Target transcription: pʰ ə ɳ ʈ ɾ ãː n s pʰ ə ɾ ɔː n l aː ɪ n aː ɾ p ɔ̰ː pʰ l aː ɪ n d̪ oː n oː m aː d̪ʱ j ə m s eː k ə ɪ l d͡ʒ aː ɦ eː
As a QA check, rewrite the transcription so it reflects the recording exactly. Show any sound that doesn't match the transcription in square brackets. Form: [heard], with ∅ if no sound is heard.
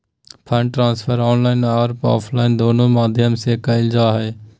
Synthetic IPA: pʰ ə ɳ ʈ ɾ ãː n s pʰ ə ɾ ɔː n l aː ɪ n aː ɾ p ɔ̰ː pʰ l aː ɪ n d̪ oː n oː m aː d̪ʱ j ə m s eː k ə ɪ l d͡ʒ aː ɦ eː